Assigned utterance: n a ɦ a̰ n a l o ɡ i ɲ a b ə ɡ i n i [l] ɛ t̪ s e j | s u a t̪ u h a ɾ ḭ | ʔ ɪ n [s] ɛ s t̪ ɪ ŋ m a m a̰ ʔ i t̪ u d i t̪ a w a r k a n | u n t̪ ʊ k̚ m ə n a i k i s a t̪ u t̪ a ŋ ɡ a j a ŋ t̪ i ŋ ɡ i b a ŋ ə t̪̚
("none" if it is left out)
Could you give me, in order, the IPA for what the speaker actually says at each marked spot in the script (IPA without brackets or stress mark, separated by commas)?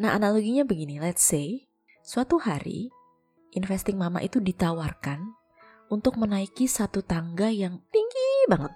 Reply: l, f